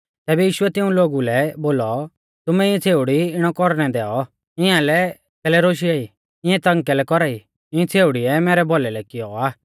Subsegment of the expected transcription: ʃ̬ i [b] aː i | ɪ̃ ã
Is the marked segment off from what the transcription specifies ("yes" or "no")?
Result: yes